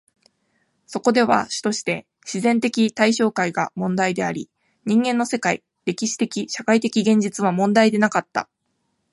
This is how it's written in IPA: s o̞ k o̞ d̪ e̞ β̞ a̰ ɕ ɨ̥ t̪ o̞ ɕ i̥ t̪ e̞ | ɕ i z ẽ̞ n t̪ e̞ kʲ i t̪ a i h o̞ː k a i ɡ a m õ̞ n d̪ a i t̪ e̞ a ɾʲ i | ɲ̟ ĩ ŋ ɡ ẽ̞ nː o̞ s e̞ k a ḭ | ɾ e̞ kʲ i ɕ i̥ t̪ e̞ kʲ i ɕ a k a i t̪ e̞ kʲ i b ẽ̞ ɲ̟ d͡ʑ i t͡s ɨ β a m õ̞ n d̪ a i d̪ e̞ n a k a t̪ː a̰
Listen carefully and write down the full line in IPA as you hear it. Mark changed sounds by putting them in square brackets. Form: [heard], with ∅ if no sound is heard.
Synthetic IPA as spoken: s o̞ k o̞ d̪ e̞ β̞ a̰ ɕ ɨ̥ t̪ o̞ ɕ i̥ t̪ e̞ | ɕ i z ẽ̞ n t̪ e̞ kʲ i t̪ a i [ɕ] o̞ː k a i ɡ a m õ̞ n d̪ a i [d̪] e̞ a ɾʲ i | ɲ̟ ĩ ŋ ɡ ẽ̞ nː o̞ s e̞ k a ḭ | ɾ e̞ kʲ i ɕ i̥ t̪ e̞ kʲ i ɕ a k a i t̪ e̞ kʲ i [ɡ] ẽ̞ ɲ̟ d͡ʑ i t͡s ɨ β a m õ̞ n d̪ a i d̪ e̞ n a k a t̪ː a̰